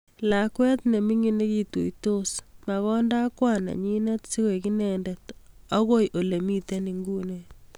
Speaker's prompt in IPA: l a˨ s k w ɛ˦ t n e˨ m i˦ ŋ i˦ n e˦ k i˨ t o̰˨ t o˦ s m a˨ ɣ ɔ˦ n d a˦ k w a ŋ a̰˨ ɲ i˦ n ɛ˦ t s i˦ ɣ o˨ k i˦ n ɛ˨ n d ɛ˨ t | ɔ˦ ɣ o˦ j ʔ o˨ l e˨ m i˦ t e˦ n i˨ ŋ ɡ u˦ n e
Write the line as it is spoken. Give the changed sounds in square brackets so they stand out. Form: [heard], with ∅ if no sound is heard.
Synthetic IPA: l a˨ [∅] k w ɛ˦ t n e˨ m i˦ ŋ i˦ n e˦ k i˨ t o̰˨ t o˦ s m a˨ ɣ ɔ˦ n d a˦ k w a [n] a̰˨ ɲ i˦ n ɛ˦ t s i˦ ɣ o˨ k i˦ n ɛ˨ n d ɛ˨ t | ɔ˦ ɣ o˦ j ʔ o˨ l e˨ m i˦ t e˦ n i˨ ŋ ɡ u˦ n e